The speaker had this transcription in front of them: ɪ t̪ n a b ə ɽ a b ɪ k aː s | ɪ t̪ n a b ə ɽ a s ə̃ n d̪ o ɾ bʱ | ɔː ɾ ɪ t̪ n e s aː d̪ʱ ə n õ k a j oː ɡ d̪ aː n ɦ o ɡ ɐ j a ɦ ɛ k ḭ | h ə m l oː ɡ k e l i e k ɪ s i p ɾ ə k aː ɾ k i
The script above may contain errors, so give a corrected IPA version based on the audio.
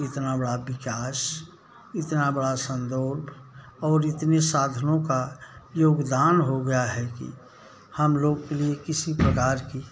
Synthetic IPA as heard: ɪ t̪ n a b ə ɽ a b ɪ k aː s | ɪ t̪ n a b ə ɽ a s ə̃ n d̪ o ɾ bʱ | ɔː ɾ ɪ t̪ n e s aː d̪ʱ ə n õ k a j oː ɡ d̪ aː n ɦ o ɡ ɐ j a ɦ ɛ k ḭ | h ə m l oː ɡ k e l i e k ɪ s i p ɾ ə k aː ɾ k i